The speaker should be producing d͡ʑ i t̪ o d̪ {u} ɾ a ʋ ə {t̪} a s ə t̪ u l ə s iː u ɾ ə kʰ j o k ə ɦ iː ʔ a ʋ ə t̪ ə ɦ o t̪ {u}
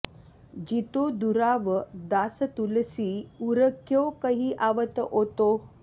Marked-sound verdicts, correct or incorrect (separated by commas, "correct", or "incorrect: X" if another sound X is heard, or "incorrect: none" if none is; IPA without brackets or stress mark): correct, incorrect: d̪, incorrect: o